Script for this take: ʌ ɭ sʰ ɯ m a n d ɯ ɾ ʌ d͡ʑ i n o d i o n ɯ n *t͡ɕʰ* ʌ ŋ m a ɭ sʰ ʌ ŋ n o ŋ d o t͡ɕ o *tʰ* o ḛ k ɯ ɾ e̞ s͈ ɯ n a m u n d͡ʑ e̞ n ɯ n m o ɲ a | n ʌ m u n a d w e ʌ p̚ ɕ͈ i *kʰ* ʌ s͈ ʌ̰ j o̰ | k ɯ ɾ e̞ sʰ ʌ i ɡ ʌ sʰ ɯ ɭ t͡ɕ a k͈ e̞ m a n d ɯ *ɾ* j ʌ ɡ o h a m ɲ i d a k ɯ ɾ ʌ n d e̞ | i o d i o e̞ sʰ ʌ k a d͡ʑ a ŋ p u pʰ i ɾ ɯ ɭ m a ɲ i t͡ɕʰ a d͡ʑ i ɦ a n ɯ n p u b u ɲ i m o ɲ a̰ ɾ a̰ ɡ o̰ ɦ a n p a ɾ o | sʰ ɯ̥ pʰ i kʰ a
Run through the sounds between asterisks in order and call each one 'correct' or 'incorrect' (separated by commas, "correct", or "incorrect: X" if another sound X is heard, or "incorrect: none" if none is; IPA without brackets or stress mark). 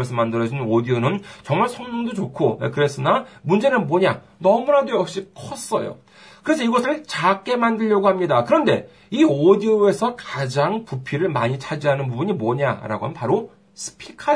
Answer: incorrect: t͡ɕ, incorrect: kʰ, correct, incorrect: ʎ